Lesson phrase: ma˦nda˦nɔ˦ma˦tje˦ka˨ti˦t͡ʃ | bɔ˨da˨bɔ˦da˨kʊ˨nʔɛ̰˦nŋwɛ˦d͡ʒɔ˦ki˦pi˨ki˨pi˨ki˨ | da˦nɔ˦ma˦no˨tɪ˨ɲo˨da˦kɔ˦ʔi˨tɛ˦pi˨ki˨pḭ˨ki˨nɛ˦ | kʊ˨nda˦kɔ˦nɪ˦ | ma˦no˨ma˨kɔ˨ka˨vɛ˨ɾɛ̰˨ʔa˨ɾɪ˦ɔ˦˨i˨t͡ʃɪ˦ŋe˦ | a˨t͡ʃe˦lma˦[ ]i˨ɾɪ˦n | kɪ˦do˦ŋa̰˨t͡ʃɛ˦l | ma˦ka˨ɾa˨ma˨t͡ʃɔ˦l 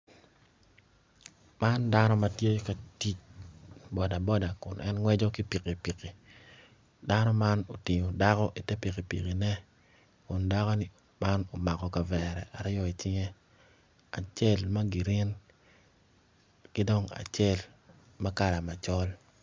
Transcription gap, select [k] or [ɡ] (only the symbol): ɡ